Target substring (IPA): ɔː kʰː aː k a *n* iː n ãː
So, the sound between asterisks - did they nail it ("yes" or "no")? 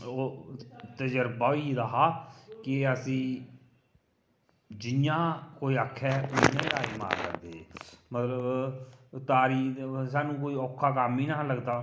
no